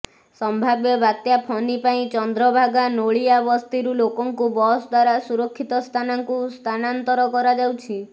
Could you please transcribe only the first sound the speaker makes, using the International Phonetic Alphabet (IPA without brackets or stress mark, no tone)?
s